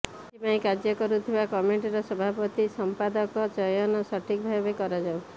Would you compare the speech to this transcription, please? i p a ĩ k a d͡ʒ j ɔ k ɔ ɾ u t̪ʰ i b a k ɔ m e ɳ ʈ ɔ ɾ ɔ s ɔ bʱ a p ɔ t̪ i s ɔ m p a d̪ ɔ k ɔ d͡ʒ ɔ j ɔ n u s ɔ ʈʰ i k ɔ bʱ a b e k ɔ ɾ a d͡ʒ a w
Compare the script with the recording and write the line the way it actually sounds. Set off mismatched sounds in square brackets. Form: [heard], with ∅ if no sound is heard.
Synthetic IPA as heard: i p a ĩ k a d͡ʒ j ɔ k ɔ ɾ u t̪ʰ i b a k ɔ m e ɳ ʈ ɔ ɾ ɔ s ɔ bʱ a p ɔ t̪ i s ɔ m p a d̪ ɔ k ɔ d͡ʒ ɔ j ɔ n [ɔ] s ɔ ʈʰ i k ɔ bʱ a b e k ɔ ɾ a d͡ʒ a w